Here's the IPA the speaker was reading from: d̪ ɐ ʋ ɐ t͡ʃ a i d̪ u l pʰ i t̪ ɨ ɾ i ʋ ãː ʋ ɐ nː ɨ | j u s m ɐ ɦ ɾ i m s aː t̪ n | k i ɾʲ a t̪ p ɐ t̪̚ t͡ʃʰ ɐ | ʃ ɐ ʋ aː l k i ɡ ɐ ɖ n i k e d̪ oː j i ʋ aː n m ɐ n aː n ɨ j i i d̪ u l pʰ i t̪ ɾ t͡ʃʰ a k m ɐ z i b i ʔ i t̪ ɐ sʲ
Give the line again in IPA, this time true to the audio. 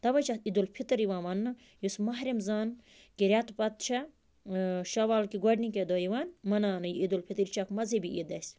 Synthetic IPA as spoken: t̪ ɐ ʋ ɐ t͡ʃ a i d̪ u l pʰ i t̪ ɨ ɾ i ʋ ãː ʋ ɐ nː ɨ | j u s m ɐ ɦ ɾ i m z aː n | k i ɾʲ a t̪ p ɐ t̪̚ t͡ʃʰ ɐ | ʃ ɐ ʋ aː l k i ɡ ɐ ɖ n i k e d̪ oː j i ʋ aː n m ɐ n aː n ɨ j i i d̪ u l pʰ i t̪ ɾ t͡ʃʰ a k m ɐ z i b i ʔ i d̪ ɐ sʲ